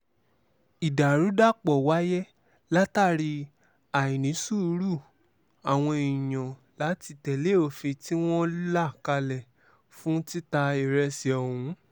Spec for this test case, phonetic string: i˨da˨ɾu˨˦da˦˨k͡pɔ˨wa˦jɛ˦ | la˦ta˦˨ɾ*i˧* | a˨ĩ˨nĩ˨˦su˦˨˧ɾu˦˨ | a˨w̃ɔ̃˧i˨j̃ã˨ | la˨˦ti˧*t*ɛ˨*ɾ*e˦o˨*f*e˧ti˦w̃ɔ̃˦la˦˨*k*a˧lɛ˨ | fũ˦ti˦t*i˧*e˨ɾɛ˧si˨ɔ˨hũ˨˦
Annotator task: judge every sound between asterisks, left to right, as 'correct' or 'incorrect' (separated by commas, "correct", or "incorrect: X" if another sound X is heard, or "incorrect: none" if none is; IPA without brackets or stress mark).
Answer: correct, correct, incorrect: l, correct, correct, incorrect: a˧